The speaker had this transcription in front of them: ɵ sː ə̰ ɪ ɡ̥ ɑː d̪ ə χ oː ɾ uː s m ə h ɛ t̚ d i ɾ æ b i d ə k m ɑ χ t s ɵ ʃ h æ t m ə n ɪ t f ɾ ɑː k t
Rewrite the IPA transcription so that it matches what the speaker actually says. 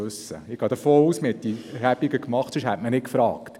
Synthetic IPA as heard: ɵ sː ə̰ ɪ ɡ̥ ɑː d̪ ə f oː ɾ uː s m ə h ɛ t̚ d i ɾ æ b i ɡ ə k m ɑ χ t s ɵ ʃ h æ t m ə n ɪ k f ɾ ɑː k t

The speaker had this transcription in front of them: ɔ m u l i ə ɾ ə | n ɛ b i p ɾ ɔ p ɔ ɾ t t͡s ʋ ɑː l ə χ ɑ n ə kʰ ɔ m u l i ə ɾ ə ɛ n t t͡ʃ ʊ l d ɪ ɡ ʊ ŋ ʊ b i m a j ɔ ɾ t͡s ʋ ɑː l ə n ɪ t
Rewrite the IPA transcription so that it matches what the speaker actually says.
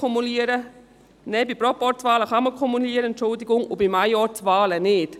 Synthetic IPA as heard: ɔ m u l i ə ɾ ə | n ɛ b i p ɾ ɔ p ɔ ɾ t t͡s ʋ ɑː l ə χ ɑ m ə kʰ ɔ m u l i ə ɾ ə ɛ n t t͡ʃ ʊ l d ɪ ɡ ʊ ŋ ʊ b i m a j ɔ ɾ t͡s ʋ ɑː l ə n ɪ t

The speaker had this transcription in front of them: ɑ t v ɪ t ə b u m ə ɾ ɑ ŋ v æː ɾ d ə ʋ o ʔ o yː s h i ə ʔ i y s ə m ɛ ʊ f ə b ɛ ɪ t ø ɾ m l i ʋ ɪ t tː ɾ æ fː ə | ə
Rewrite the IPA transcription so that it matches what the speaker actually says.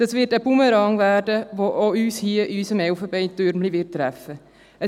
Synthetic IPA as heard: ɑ s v ɪ t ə b u m ə ɾ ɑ ŋ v æː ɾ d ə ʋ o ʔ o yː s h i ə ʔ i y s ə m ɛ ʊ f ə b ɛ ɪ t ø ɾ m l i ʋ ɪ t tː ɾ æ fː ə | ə

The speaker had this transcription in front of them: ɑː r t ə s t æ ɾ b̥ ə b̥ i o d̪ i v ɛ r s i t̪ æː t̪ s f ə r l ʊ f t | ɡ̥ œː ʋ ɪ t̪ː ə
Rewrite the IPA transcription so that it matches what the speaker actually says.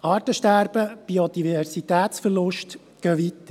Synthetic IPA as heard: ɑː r t ə ʃ t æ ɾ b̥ ə b̥ i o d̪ i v ɛ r s i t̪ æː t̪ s f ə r l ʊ ʃ t | ɡ̥ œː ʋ i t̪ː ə

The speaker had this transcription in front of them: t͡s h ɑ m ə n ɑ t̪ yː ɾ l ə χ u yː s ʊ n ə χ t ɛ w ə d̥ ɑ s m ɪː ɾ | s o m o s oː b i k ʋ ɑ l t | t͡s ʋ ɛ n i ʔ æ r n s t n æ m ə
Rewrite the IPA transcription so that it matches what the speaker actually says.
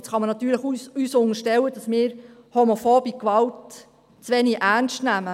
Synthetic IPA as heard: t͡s χ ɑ m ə n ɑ t̪ yː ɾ l ə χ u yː s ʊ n ə ʃ t ɛ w ə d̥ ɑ s m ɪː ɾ | h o m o f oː b i k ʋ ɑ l t | t͡s ʋ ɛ n i ʔ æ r n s t n æ m ə

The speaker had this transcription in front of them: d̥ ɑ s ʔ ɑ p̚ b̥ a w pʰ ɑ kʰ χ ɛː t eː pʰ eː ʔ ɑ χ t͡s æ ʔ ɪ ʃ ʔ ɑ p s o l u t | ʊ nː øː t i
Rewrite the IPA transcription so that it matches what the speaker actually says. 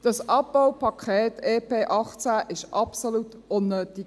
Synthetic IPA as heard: d̥ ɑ s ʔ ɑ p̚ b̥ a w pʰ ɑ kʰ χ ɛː t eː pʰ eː ʔ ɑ χ t͡s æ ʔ ɪ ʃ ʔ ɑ p s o l u t | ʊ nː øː t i

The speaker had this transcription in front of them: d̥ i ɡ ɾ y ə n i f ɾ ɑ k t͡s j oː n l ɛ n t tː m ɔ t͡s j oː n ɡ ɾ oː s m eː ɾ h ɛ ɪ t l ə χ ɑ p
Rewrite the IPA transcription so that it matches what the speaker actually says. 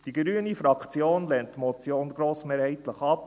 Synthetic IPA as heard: d̥ i ɡ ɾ y ə n i f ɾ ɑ k t͡s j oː n l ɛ n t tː m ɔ t͡s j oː n ɡ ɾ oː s m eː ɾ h ɛ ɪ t l ə χ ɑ p

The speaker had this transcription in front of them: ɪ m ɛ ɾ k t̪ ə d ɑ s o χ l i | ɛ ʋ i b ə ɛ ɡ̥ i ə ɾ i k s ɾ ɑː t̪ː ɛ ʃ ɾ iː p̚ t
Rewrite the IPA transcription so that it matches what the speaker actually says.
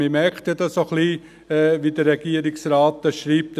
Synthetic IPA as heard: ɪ m ɛ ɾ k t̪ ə d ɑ s o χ l i | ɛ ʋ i d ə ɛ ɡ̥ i ə ɾ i k s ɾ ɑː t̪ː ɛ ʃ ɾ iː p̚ t

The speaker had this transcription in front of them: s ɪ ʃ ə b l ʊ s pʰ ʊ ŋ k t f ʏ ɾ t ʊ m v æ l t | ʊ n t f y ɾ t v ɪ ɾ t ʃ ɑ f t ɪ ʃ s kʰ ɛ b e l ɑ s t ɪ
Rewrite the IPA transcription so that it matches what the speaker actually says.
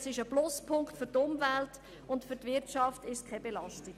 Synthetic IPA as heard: s ɪ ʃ ə b l ʊ s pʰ ʊ ŋ k t f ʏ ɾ t ʊ m v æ l t | ʊ n t f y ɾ t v ɪ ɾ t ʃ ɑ f t ɪ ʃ s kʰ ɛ b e l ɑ s t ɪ

